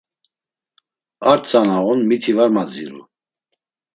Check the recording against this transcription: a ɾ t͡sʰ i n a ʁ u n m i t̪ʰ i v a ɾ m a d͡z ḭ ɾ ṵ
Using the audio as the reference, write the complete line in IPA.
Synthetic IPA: a ɾ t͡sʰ a n a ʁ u n m i t̪ʰ i v a ɾ m a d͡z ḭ ɾ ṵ